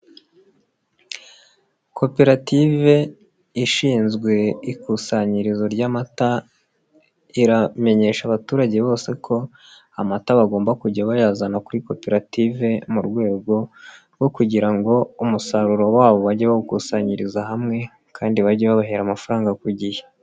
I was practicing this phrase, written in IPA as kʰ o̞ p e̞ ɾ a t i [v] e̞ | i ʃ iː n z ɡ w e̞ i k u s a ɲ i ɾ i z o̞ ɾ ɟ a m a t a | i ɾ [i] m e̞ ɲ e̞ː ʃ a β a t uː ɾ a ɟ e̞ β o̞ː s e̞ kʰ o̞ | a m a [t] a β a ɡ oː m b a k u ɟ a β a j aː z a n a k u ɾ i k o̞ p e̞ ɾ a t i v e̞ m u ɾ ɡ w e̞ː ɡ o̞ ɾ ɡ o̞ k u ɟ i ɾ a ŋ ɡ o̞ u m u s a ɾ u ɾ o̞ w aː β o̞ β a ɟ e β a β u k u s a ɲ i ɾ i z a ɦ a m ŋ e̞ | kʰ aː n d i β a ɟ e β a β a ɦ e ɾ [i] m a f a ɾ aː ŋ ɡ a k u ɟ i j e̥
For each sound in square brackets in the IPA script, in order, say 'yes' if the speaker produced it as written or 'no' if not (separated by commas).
yes, no, yes, no